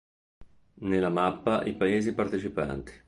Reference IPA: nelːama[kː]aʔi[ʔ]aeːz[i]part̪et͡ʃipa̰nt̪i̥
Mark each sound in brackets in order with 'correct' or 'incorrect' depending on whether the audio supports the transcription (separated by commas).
incorrect, incorrect, correct